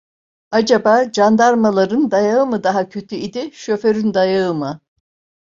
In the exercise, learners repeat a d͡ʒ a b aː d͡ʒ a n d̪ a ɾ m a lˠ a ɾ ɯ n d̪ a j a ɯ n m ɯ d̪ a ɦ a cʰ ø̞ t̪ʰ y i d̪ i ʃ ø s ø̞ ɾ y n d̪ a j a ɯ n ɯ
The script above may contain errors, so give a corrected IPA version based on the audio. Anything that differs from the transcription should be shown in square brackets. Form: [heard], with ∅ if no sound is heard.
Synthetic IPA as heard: a d͡ʒ a b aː d͡ʒ a n d̪ a ɾ m a lˠ a ɾ ɯ n d̪ a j a ɯ [∅] m ɯ d̪ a ɦ a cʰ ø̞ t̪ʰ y i d̪ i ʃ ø [f] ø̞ ɾ y n d̪ a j a ɯ [m] ɯ